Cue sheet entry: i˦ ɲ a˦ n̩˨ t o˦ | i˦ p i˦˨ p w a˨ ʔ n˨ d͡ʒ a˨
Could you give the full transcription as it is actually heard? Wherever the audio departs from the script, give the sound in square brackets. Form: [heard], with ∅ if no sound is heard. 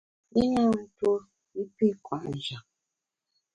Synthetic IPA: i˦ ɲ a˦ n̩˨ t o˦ | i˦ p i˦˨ [k] w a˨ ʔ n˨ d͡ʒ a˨